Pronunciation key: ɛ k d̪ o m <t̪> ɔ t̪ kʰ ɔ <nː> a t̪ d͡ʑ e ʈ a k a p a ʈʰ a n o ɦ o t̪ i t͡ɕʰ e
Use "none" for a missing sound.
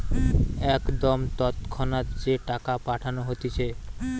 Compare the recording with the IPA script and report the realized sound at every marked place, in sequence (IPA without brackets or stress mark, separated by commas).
t̪, n